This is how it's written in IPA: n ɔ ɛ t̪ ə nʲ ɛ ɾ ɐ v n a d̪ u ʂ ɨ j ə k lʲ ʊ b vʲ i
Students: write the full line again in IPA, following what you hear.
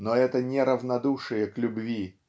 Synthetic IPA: n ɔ ɛ t̪ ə nʲ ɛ ɾ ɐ v n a d̪ u ʂ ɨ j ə k lʲ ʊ b vʲ i

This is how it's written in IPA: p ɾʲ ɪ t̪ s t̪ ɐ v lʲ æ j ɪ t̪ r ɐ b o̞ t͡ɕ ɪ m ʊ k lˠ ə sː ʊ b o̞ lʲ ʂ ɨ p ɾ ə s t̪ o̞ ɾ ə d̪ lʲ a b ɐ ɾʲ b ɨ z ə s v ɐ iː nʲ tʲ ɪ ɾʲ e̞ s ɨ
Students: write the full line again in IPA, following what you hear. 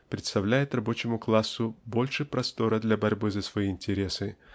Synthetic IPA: p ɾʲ ɪ t̪ s t̪ ɐ v lʲ æ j ɪ t̪ r ɐ b o̞ t͡ɕ ɪ m ʊ k lˠ a sː ʊ b o̞ lʲ ʂ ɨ p ɾ ɐ s t̪ o̞ ɾ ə d̪ lʲ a b ɐ ɾʲ b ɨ z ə s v ɐ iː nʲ tʲ ɪ ɾʲ e̞ s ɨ

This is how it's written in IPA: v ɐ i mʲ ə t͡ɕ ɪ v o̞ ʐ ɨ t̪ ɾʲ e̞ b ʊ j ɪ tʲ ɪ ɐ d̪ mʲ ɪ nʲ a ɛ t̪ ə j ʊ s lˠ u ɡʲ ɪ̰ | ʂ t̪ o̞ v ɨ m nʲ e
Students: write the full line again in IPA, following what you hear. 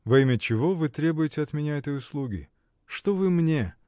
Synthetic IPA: v ɐ i mʲ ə t͡ɕ ɪ v o̞ v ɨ t̪ ɾʲ e̞ b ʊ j ɪ tʲ ɪ ɐ t̪ mʲ ɪ nʲ a ɛ t̪ ə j ʊ s lˠ u ɡʲ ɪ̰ | ʂ t̪ o̞ v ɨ m nʲ e

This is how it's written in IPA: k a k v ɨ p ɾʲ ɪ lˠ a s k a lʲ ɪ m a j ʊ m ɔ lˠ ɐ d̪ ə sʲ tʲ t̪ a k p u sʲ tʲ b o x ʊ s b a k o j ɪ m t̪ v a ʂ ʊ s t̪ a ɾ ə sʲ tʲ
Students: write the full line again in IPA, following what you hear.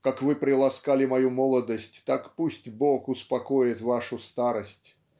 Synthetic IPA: k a k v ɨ p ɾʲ ɪ lˠ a s k a lʲ ɪ m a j u m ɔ lˠ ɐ d̪ ə sʲ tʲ t̪ a k p u sʲ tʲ b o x ʊ s p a k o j ɪ t̪ v a ʂ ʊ s t̪ a ɾ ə sʲ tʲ

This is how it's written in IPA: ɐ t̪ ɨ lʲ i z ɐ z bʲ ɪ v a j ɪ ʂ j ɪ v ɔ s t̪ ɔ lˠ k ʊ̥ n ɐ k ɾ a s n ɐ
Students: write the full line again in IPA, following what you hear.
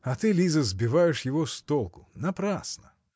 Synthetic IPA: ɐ t̪ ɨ lʲ i z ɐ z bʲ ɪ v a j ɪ ʂ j ɪ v ɔ s t̪ ɔ lˠ k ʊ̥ n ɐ p ɾ a s n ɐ

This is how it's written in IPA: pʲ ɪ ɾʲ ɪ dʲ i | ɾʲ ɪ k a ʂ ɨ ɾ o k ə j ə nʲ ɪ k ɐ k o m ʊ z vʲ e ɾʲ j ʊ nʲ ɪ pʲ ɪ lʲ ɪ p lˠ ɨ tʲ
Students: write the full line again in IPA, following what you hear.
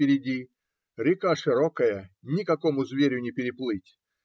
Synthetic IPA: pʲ ɪ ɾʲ ɪ dʲ i | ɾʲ ɪ k a ʂ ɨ ɾ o k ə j ə nʲ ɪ k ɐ k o m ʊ z vʲ e ɾʲ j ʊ nʲ ɪ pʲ ɪ ɾʲ ɪ p lˠ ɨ tʲ

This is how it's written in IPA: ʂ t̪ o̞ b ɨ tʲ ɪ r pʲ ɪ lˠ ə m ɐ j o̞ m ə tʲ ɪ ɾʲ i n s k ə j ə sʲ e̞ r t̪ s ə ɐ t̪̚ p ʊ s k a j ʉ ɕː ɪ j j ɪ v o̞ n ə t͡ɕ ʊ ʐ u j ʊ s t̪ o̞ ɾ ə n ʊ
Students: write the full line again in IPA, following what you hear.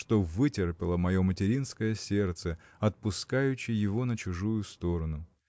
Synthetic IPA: ʂ t̪ o̞ v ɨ tʲ ɪ r pʲ ɪ lˠ ə m ɐ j o̞ m ə tʲ ɪ ɾʲ i n s k ə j ə sʲ e̞ r t̪ s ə ɐ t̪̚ p ʊ s k a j ʉ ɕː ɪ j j ɪ v o̞ n ə t͡ɕ ʊ ʐ u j ʊ s t̪ o̞ ɾ ə n ʊ

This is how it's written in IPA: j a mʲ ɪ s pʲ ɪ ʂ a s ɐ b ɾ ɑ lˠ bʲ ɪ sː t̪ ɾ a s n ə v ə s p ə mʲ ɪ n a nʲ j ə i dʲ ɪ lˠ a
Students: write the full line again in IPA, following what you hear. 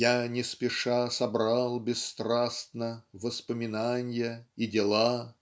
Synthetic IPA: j a nʲ ɪ s pʲ ɪ ʂ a s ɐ b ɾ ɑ lˠ bʲ ɪ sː t̪ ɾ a s n ə v ə s p ə mʲ ɪ n a nʲ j ə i dʲ ɪ lˠ a

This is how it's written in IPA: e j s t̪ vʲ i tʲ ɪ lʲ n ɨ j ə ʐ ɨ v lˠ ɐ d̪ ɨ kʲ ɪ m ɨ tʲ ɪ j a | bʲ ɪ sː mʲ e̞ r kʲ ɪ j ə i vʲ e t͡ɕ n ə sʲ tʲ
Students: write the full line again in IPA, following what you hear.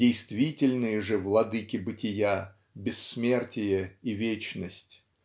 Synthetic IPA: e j s t̪ vʲ i tʲ ɪ lʲ n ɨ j ə ʐ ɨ v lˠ ɐ d̪ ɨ kʲ ɪ b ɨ tʲ ɪ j a | bʲ ɪ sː mʲ e̞ r tʲ ɪ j ə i vʲ e t͡ɕ n ə sʲ tʲ

